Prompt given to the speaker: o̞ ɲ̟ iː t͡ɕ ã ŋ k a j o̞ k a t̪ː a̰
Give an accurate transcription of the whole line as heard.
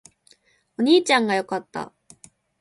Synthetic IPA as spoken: o̞ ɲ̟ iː t͡ɕ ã ŋ ɡ a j o̞ k a t̪ː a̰